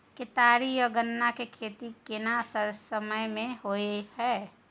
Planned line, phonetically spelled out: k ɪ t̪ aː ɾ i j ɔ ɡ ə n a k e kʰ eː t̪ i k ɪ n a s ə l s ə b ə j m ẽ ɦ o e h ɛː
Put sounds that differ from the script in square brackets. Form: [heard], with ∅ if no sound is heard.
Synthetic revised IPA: k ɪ t̪ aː ɾ i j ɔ ɡ ə [nː] a k e kʰ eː t̪ i k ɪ n a s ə [ɾ] s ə [m] ə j m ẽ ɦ o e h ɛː